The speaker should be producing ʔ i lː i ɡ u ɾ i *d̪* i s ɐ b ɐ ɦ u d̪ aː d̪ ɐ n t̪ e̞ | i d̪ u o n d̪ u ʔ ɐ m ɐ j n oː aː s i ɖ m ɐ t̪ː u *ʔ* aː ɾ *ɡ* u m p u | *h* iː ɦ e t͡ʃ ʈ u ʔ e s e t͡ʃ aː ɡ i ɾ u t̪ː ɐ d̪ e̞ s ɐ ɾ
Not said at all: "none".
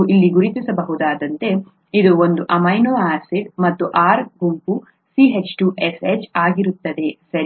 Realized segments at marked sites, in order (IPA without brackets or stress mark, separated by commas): t̪, ʔ, ɡ, s